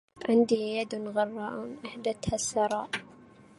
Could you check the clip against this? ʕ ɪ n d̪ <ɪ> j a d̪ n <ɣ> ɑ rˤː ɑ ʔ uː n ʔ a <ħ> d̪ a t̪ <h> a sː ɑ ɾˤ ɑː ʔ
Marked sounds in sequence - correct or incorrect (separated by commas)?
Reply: incorrect, correct, correct, correct